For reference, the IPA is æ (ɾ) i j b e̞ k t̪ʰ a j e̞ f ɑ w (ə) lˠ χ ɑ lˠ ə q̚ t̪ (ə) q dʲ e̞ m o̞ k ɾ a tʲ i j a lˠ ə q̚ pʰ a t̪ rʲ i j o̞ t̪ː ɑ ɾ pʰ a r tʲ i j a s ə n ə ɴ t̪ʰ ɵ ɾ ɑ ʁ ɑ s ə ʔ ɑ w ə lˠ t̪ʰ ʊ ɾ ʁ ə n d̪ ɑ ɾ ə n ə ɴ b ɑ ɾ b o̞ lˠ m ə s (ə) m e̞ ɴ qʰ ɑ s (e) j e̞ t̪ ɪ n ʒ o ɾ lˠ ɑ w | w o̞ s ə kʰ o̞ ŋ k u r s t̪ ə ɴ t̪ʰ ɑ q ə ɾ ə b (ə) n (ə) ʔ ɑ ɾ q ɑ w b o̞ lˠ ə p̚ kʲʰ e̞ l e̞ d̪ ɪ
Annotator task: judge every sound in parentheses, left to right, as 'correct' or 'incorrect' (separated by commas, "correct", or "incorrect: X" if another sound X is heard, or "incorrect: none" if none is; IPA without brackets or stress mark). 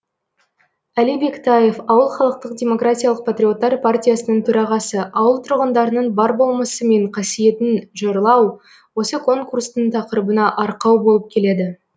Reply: incorrect: l, correct, correct, correct, incorrect: i, correct, incorrect: ɑ